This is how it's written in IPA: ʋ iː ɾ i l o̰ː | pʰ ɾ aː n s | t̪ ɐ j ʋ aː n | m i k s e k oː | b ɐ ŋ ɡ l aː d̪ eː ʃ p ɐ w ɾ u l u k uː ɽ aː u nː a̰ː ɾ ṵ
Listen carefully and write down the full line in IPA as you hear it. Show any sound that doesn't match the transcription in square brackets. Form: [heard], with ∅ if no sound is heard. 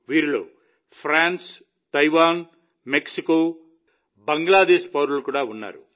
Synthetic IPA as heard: ʋ iː ɾ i l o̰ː | pʰ ɾ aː n s | t̪ ɐ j ʋ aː n | m [e] k s [i] k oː | b ɐ ŋ ɡ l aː d̪ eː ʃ p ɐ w ɾ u l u k uː ɽ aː u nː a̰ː ɾ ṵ